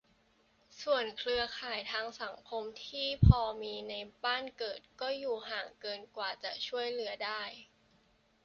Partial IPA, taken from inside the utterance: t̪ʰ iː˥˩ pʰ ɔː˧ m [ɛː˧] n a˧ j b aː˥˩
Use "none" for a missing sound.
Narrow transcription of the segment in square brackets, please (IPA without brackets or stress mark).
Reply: iː˧